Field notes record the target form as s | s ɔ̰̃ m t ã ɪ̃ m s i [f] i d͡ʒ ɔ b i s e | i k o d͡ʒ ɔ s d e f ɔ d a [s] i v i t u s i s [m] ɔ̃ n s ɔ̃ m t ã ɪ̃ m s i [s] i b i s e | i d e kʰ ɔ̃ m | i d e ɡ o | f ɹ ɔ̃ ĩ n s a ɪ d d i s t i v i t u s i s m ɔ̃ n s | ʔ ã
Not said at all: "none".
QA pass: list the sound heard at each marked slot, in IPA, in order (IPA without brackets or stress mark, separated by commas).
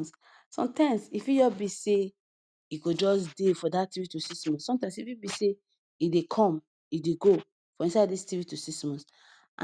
f, t, m, f